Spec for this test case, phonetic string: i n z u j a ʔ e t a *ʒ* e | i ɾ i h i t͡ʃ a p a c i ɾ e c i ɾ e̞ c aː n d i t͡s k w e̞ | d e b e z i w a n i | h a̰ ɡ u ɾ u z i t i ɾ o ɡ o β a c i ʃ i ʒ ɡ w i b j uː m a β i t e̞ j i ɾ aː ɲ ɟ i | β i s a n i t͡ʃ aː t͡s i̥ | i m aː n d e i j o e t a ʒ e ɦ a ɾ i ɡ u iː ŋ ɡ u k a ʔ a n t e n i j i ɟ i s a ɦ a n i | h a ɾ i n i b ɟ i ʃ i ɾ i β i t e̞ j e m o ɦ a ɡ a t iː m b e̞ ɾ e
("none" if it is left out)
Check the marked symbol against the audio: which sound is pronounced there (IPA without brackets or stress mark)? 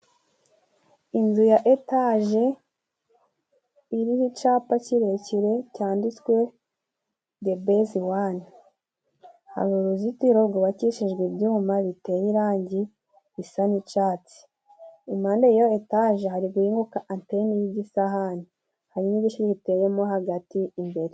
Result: ʒ